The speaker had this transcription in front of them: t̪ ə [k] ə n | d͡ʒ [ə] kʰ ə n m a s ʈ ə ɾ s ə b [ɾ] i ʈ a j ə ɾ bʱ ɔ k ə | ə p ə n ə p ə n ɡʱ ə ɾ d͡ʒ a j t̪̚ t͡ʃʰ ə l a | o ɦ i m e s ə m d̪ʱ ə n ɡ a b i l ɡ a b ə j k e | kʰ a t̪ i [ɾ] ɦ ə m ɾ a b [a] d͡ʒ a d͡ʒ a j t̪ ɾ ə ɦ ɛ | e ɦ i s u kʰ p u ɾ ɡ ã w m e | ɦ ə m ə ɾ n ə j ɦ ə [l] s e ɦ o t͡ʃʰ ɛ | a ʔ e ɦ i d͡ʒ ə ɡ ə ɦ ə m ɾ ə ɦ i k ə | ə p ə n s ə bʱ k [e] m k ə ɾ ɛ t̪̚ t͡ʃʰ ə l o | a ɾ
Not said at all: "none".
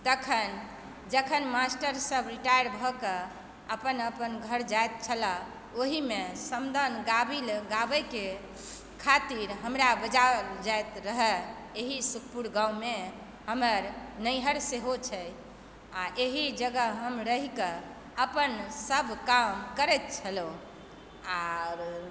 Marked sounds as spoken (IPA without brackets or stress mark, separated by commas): kʰ, ə, ɾ, ɾ, ə, ɾ, a